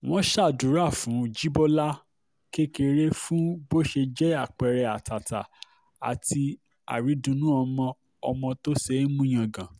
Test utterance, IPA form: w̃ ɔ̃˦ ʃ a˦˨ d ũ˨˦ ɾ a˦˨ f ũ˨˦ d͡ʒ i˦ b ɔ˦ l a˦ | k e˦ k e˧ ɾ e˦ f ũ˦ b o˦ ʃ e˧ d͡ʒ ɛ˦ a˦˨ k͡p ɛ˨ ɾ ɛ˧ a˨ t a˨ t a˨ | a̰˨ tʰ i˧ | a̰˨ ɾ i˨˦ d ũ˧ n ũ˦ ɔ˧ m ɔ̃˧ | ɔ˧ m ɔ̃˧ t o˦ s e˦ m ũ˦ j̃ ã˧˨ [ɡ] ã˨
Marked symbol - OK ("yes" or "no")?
yes